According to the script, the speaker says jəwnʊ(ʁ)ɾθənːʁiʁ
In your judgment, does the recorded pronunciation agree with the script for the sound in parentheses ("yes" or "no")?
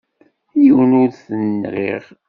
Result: no